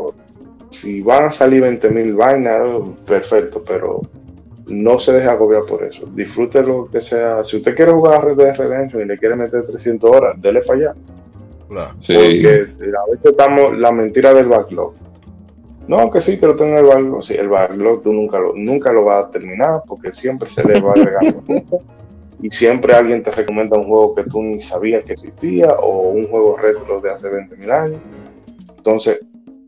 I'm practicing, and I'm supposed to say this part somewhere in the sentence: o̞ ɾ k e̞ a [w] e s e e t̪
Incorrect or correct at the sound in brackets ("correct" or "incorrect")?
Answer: incorrect